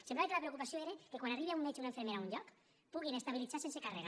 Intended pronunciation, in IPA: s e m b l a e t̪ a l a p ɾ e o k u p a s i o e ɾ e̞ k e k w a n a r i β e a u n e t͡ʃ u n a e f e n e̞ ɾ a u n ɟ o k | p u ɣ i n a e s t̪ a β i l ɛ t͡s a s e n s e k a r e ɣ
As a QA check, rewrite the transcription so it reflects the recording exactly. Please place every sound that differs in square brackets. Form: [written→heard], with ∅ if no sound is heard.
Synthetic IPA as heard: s e m b l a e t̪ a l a p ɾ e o k u p a s i o e ɾ e̞ k e k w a n a r i β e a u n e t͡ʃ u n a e f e [n→m] e̞ ɾ a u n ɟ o k | p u ɣ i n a e s t̪ a β i l [ɛ→i] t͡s a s e n s e k a r e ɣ

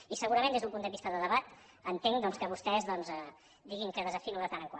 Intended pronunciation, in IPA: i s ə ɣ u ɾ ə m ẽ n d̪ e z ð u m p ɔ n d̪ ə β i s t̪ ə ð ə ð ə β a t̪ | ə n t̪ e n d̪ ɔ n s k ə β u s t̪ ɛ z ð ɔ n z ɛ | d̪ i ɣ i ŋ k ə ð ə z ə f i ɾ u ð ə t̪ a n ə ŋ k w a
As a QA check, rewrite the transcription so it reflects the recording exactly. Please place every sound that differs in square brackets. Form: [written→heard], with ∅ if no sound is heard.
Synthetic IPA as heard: i s ə ɣ u ɾ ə m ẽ n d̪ e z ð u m p [ɔ→u] n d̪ ə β i s t̪ ə ð ə ð ə β a t̪ | ə n t̪ e [n→ŋ] d̪ ɔ n s k ə β u s t̪ ɛ z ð ɔ n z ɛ | d̪ i ɣ i ŋ k ə ð ə z ə f i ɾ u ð ə t̪ a n ə ŋ k w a

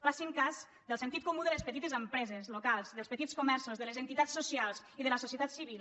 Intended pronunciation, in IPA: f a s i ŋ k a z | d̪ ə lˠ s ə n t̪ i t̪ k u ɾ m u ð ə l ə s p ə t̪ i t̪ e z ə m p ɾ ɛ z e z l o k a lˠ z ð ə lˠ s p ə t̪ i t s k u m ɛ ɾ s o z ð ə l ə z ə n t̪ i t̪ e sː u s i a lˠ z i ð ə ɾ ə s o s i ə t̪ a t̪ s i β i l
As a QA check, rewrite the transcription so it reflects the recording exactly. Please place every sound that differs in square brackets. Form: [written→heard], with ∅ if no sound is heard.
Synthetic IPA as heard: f a s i ŋ k a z | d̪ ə lˠ s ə n t̪ i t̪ k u [ɾ→∅] m u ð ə l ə s p ə t̪ i t̪ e z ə m p ɾ ɛ z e z l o k a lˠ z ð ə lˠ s p ə t̪ i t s k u m ɛ ɾ s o z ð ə l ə z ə n t̪ i t̪ [e→a] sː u s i a lˠ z i ð ə [ɾ→l] ə s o s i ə t̪ a t̪ s i β i l

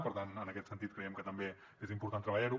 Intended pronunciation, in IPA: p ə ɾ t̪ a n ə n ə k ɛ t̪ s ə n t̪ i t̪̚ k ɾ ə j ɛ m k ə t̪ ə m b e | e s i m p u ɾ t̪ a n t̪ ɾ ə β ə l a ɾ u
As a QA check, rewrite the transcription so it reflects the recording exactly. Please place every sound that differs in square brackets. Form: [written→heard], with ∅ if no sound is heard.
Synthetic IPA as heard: p ə ɾ t̪ a n ə n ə k ɛ t̪ s ə n t̪ i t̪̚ k ɾ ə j ɛ m k ə t̪ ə m b e | e [s→z] i m p u ɾ t̪ a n t̪ ɾ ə β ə [l→ʎ] a ɾ u

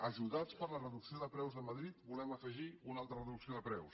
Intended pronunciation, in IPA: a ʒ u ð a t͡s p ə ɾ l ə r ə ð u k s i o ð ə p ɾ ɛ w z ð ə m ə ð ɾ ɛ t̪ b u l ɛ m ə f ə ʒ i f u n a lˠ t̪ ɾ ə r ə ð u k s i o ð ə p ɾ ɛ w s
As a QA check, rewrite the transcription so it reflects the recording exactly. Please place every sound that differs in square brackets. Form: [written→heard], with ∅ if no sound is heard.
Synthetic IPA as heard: [a→ə] ʒ u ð a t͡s p ə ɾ l ə r ə ð u k s i o ð ə p ɾ ɛ w z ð ə m ə ð ɾ [ɛ→i] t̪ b u l ɛ m ə f ə ʒ i [f→∅] u n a lˠ t̪ ɾ ə r ə ð u k s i o ð ə p ɾ ɛ w s

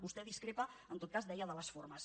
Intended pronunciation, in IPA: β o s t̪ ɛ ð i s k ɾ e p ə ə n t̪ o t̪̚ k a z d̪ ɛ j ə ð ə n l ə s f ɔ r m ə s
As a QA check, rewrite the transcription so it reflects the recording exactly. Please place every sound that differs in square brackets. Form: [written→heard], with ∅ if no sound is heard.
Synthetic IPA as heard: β [o→u] s t̪ ɛ ð i s k ɾ e p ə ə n t̪ o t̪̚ k a z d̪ ɛ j ə ð ə [n→∅] l ə s f [ɔ→o] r m ə s

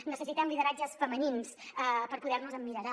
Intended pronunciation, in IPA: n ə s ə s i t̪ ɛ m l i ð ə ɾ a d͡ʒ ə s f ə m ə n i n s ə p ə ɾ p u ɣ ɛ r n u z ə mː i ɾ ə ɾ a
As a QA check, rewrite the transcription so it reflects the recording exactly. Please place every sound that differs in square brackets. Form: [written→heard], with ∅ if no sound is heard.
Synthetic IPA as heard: n ə s ə s i t̪ ɛ m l i ð ə ɾ a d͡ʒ ə s f ə m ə n i n s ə p ə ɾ p u [ɣ→ð] ɛ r n u z ə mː i ɾ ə ɾ a

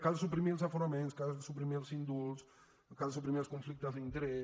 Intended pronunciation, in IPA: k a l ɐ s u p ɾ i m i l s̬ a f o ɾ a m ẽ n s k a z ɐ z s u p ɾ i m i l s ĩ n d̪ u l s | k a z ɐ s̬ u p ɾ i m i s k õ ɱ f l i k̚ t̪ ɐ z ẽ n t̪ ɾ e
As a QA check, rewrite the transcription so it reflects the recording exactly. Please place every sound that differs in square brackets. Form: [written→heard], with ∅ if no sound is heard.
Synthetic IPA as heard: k a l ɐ s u p ɾ i m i l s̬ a f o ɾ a m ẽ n s k a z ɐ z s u p ɾ i m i l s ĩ n d̪ u l s | k a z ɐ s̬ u p ɾ i m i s k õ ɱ f l i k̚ t̪ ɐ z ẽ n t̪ ɾ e

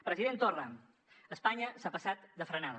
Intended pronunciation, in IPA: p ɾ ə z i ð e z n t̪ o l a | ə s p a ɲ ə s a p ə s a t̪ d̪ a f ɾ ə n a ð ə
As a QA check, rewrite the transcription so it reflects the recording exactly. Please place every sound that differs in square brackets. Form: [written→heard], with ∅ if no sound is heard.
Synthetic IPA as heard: p ɾ ə z i ð e [z→∅] n t̪ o [l→r] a | ə s p a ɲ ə s a p ə s a t̪ d̪ [a→ə] f ɾ ə n a ð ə

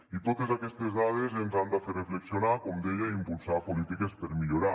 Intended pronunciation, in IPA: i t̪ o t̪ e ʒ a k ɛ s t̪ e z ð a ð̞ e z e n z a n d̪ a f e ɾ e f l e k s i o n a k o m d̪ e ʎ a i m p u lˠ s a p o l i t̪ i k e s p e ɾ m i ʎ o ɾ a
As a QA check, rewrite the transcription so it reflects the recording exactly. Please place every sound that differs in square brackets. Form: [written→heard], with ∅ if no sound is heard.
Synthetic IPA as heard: i t̪ o t̪ e [ʒ→z] a k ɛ s t̪ e z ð a ð̞ e z e n z a n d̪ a f e [ɾ→r] e f l e k s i o n a k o m d̪ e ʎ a i m p u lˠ s a p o l i t̪ i k e s p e ɾ m i ʎ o ɾ a

